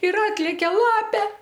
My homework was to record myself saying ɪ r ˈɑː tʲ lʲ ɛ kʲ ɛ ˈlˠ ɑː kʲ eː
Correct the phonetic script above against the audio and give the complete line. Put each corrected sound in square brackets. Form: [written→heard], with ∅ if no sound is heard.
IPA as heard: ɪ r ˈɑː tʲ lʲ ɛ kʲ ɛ ˈlˠ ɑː [kʲ→pʲ] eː

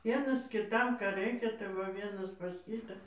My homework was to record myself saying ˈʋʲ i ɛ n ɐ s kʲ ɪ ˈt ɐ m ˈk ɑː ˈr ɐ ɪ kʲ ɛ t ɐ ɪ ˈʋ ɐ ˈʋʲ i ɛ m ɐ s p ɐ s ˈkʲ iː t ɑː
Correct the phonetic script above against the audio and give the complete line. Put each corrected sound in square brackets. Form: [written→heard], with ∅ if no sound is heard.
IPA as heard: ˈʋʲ i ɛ n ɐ s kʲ ɪ ˈt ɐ m ˈk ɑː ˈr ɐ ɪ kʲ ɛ t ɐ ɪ ˈʋ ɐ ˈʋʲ i ɛ [m→n] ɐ s p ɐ s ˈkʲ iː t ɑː

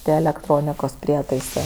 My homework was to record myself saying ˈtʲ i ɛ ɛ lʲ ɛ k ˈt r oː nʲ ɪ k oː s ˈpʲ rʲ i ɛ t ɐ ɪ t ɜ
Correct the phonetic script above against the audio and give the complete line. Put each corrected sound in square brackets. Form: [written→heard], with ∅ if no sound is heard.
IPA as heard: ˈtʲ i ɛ ɛ lʲ ɛ k ˈt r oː nʲ ɪ k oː s ˈpʲ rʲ i ɛ t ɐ ɪ [t→s] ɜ

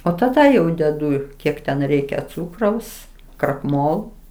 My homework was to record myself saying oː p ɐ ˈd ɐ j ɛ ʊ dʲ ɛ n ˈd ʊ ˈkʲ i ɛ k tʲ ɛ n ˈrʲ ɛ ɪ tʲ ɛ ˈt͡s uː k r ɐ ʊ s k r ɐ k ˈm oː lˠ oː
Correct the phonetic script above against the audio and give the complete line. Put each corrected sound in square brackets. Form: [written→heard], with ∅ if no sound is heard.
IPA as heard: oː [p→t] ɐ ˈd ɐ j ɛ ʊ dʲ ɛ [n→∅] ˈd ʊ ˈkʲ i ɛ k tʲ ɛ n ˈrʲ ɛ ɪ [tʲ→kʲ] ɛ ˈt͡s uː k r ɐ ʊ s k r ɐ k ˈm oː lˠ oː

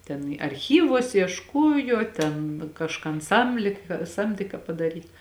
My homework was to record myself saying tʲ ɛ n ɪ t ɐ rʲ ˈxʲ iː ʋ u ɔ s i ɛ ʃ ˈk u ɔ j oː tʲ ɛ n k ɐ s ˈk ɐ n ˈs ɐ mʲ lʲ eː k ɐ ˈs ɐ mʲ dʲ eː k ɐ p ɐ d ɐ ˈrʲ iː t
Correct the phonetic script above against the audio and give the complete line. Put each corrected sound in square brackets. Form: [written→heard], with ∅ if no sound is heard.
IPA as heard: tʲ ɛ n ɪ [t→∅] ɐ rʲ ˈxʲ iː ʋ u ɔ s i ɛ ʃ ˈk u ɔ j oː tʲ ɛ n k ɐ [s→ʃ] ˈk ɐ n ˈs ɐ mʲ lʲ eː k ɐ ˈs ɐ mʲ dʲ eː k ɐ p ɐ d ɐ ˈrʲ iː t

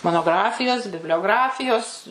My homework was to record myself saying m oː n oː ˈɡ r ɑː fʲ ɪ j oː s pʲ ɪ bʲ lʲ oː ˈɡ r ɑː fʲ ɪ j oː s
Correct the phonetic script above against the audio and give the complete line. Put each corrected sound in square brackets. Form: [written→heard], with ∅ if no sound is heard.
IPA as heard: m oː n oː ˈɡ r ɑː fʲ ɪ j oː s [pʲ→bʲ] ɪ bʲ lʲ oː ˈɡ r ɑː fʲ ɪ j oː s

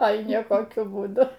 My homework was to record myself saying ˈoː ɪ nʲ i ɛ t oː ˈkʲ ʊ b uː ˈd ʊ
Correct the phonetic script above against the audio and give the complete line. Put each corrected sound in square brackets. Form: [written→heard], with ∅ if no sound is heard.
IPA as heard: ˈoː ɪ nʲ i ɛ [t→k] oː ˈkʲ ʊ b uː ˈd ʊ

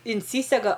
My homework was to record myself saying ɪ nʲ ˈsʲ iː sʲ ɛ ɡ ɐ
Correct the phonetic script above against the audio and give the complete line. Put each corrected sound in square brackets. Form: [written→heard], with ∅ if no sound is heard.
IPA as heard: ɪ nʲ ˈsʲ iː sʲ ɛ ɡ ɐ

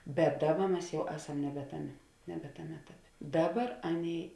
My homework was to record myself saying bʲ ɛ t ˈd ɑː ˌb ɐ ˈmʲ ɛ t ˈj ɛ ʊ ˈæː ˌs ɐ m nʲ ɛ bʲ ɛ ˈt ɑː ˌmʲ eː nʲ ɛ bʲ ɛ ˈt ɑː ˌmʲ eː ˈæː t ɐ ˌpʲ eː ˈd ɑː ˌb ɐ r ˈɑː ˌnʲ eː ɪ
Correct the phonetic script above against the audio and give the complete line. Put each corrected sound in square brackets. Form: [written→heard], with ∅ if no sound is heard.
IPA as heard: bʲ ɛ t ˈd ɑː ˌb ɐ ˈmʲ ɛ [t→s] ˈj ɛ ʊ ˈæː ˌs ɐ m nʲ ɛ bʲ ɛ ˈt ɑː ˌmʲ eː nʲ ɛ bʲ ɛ ˈt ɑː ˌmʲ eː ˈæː t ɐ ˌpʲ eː ˈd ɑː ˌb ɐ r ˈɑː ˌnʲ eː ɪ

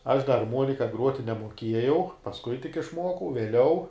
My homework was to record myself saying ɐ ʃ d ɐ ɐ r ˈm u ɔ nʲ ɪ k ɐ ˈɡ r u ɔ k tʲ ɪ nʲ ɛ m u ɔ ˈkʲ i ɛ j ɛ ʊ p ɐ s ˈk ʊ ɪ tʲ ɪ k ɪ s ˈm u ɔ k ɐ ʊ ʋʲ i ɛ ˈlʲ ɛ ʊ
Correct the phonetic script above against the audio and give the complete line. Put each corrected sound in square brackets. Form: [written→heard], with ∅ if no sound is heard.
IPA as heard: ɐ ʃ d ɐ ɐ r ˈm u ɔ nʲ ɪ k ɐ ˈɡ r u ɔ [k→∅] tʲ ɪ nʲ ɛ m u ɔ ˈkʲ i ɛ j ɛ ʊ p ɐ s ˈk ʊ ɪ tʲ ɪ k ɪ [s→ʃ] ˈm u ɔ k ɐ ʊ ʋʲ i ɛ ˈlʲ ɛ ʊ

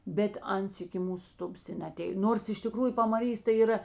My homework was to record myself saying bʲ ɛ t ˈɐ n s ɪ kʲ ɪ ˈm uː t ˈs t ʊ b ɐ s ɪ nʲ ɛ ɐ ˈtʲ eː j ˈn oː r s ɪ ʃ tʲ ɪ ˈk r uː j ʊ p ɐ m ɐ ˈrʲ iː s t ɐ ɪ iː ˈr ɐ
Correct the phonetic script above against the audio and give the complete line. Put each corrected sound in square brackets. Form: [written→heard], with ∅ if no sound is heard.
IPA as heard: bʲ ɛ t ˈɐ n s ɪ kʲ ɪ ˈm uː [t→s] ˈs t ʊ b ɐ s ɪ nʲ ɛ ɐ ˈtʲ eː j ˈn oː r s ɪ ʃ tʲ ɪ ˈk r uː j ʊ p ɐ m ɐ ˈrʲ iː s t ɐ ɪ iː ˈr ɐ

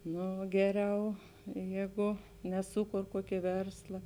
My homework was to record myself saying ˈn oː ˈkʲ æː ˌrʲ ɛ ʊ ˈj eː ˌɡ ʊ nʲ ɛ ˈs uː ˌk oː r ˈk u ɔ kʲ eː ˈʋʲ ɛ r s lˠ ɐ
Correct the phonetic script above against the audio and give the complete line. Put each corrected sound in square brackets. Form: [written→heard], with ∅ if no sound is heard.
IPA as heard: ˈn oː [ˈkʲ→ˈɡʲ] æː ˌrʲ ɛ ʊ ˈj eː ˌɡ ʊ nʲ ɛ ˈs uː ˌk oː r ˈk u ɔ kʲ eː ˈʋʲ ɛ r s lˠ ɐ

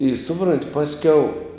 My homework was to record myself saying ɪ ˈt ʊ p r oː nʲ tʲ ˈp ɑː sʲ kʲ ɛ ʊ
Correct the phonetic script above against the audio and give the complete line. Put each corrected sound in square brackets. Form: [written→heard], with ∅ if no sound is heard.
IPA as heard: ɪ [ˈt→ˈs] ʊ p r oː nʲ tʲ ˈp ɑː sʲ kʲ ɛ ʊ

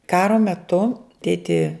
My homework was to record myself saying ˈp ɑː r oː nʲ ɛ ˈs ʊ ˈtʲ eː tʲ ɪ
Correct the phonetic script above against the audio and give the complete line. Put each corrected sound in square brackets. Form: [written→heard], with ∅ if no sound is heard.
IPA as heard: [ˈp→ˈk] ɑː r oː [nʲ→mʲ] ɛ [ˈs→ˈt] ʊ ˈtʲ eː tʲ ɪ

